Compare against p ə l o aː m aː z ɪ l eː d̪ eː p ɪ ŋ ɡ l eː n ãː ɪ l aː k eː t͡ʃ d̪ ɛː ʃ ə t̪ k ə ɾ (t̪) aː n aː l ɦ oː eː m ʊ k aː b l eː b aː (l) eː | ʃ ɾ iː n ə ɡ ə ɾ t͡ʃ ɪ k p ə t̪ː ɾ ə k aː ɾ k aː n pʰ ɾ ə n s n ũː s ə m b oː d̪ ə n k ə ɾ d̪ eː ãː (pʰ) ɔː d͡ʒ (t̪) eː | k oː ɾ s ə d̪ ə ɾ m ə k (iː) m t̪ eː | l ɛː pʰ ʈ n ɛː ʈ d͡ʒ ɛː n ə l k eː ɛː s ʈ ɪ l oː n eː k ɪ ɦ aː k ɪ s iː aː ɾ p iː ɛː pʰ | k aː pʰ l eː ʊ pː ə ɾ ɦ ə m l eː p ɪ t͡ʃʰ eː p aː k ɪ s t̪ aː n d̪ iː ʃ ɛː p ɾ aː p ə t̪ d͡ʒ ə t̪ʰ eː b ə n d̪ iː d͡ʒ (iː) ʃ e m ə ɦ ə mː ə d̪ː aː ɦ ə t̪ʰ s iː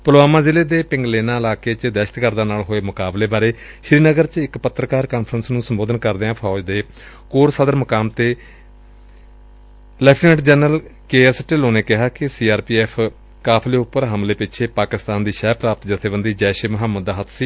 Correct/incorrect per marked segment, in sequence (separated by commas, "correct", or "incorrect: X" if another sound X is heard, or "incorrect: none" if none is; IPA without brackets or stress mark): incorrect: d̪, incorrect: ɾ, correct, incorrect: d̪, incorrect: aː, incorrect: ɛː